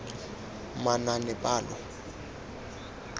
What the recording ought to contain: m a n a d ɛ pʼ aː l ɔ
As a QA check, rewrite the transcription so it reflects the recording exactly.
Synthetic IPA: m a n a n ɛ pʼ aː l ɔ

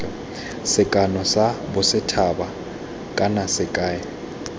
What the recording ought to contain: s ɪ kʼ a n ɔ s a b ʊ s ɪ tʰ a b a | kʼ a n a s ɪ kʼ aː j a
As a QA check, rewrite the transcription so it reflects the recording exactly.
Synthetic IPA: s ɪ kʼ a n ɔ s a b ʊ s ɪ tʰ a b a | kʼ a n a s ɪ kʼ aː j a

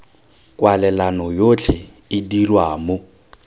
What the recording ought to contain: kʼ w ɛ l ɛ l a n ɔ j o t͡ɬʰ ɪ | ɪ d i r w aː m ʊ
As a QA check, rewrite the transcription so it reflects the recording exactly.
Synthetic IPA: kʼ w a l ɛ l a n ɔ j o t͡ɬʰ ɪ | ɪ d i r w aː m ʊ

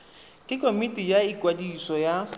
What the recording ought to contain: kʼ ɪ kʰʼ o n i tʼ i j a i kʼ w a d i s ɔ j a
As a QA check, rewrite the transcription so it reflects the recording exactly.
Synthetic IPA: kʼ ɪ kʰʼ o m i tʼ i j a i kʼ w a d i s ɔ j a

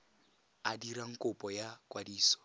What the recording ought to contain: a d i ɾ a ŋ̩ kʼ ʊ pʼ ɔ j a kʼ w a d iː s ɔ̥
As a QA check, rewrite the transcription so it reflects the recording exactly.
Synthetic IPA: a d i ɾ a ŋ̩ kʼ ʊ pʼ ɔ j a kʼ w a d iː s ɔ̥

